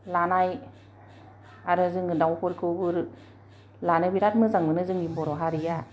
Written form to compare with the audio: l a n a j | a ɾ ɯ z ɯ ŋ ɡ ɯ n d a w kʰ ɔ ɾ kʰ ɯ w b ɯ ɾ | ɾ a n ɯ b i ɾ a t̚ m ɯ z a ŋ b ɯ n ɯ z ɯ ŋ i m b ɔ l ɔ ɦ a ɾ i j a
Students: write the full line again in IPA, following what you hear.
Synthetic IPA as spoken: l a n a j | a ɾ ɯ z ɯ ŋ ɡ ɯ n d a w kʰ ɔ ɾ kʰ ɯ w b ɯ ɾ | l a n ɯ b i ɾ a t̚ m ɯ z a ŋ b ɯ n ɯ z ɯ ŋ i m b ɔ ɾ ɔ ɦ a ɾ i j a